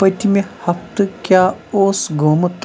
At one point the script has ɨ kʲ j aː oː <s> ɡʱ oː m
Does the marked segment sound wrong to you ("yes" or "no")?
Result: no